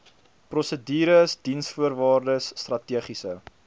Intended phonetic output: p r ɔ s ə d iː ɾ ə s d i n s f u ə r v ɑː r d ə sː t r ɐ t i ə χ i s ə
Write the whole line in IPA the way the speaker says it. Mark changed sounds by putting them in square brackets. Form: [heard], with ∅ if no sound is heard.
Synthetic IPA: p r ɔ s ə d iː ɾ ə s d i n s f u ə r v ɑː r d ə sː t r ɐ t i ə χ i s ə